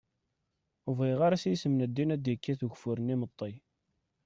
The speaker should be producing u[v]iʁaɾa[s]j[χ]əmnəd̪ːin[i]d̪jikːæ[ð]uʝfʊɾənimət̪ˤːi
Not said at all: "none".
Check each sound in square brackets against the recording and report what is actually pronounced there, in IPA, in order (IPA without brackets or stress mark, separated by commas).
v, s, s, æ, θ